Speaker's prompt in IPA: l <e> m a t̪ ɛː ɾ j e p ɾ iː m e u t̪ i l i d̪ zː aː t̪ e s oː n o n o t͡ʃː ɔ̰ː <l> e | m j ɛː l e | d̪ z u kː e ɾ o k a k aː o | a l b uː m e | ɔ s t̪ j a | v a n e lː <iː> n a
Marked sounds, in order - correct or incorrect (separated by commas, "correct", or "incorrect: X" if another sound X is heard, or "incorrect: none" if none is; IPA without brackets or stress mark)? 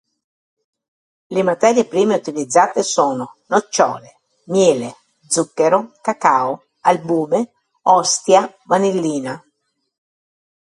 correct, correct, correct